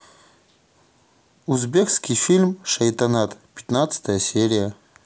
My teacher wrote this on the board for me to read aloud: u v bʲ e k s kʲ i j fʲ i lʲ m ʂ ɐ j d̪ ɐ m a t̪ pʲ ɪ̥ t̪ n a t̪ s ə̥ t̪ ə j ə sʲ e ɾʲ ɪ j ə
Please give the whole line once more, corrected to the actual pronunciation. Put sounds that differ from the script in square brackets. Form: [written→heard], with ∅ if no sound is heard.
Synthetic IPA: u [v→z] bʲ e k s kʲ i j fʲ i lʲ m ʂ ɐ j [d̪→t̪] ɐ [m→n] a t̪ pʲ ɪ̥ t̪ n a t̪ s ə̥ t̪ ə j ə sʲ e ɾʲ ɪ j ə